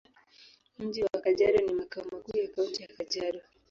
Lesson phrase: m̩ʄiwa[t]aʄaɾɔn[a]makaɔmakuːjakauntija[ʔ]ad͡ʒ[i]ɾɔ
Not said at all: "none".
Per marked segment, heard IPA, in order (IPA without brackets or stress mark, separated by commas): k, i, k, a